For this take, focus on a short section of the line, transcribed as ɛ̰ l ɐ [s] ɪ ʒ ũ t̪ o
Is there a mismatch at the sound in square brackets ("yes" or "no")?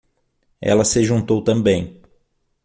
no